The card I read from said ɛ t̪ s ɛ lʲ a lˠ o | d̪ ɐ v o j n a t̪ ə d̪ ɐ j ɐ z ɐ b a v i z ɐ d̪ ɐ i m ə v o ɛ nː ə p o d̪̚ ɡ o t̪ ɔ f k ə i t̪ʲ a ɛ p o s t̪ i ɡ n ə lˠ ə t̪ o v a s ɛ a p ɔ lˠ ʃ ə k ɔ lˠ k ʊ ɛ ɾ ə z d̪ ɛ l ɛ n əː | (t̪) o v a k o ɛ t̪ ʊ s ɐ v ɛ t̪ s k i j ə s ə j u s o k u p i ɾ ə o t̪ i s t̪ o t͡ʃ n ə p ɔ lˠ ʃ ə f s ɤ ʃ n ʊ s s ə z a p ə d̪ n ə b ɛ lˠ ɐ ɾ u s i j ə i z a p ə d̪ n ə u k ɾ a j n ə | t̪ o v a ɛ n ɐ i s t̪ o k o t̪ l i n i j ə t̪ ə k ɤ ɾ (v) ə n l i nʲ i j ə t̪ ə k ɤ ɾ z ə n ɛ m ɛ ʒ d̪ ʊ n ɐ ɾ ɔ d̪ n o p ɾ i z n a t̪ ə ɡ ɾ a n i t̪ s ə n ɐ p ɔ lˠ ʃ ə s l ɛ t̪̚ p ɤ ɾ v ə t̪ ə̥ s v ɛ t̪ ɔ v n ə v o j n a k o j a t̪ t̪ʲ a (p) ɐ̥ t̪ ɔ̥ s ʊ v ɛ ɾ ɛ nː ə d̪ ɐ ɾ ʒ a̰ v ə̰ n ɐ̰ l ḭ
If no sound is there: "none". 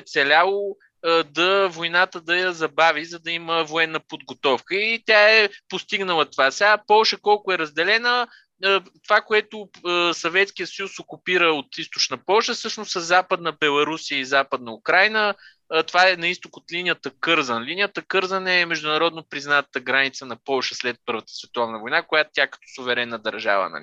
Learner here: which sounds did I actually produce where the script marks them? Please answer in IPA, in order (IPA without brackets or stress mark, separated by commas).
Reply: t̪, z, k